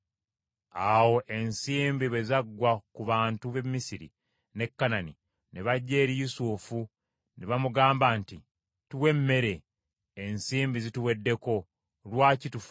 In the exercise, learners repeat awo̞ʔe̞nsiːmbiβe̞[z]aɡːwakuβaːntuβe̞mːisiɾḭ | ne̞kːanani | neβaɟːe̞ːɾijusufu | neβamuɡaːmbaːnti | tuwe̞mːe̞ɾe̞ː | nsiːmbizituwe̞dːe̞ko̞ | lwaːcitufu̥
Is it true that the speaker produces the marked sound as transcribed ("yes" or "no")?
yes